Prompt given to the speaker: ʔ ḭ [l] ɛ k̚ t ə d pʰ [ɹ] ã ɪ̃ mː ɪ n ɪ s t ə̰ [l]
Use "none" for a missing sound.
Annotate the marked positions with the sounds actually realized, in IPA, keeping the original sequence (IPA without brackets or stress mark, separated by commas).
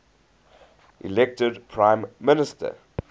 l, ɹ, none